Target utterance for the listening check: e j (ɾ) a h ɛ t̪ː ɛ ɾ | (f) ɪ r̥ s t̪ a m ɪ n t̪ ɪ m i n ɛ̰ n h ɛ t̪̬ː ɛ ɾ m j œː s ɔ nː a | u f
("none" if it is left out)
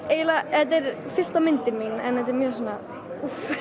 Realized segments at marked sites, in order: l, f

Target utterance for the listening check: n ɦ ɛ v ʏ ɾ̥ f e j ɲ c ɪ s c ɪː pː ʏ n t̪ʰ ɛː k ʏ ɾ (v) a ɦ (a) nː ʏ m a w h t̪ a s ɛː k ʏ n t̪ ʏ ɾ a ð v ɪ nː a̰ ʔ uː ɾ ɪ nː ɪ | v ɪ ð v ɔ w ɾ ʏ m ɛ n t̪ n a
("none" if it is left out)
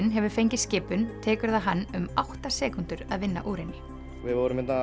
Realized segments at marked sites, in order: ð, a

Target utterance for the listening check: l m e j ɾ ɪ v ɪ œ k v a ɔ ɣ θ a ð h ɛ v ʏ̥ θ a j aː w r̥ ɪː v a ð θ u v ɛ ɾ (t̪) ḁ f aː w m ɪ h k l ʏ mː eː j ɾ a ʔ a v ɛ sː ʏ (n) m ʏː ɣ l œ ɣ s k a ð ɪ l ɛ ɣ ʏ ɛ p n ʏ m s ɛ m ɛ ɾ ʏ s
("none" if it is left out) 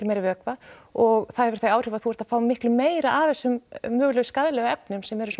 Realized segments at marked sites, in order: t̪, m

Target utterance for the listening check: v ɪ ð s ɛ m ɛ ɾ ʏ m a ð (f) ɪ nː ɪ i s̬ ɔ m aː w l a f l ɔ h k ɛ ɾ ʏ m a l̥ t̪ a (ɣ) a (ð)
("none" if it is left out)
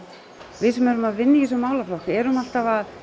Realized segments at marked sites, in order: v, v, ð

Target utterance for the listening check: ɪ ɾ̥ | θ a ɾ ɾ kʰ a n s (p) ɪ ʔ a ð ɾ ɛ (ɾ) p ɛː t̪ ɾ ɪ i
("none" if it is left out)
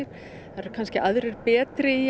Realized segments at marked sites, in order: c, ɾ

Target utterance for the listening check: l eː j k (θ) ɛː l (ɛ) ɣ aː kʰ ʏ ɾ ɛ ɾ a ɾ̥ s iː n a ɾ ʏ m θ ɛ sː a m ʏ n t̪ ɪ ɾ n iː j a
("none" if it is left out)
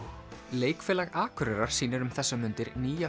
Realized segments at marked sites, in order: f, a

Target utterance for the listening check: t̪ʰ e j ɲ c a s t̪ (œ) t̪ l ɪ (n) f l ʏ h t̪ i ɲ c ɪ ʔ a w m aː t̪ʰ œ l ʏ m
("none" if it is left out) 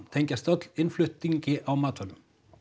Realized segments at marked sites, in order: œ, n

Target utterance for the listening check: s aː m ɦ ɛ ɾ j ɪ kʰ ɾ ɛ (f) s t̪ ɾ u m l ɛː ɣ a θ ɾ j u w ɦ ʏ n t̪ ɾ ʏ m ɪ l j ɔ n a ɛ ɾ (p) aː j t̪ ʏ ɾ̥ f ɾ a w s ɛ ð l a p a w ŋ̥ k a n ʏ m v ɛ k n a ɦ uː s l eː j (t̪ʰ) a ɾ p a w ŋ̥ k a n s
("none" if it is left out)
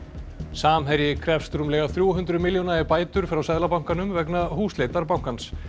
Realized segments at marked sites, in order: f, p, t̪

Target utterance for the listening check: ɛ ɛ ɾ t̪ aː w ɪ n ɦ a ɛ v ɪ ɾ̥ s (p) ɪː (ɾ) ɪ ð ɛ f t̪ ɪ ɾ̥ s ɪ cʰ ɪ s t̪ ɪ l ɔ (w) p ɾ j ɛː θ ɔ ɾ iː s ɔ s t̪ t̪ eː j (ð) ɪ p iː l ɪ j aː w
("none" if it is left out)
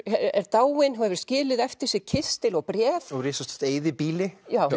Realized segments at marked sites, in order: c, l, ɣ, ð

